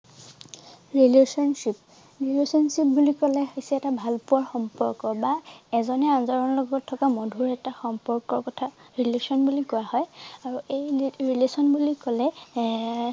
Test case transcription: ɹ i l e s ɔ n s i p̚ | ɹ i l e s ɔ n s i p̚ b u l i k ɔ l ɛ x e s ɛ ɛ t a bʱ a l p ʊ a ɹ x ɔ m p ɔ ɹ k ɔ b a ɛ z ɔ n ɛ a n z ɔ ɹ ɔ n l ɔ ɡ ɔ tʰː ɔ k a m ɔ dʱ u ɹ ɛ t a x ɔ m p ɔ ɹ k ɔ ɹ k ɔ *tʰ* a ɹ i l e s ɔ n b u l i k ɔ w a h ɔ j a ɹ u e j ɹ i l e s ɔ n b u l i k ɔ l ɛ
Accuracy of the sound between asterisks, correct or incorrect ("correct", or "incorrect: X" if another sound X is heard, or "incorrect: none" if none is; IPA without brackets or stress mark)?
correct